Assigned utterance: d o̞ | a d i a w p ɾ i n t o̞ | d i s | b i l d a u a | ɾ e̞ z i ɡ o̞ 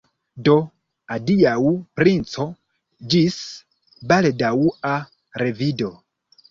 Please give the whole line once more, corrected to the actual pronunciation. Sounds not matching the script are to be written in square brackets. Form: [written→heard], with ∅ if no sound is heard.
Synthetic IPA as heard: d o̞ | a d i a w p ɾ i n [t→t͡s] o̞ | [d→d͡ʒ] i s | b [i→a] l d a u a | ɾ e̞ [z→v] i [ɡ→d] o̞